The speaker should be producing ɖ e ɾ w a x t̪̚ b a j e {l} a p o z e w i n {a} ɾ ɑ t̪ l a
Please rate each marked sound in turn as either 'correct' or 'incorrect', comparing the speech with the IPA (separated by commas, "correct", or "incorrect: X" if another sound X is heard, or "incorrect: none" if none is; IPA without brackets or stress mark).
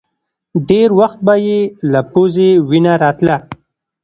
correct, correct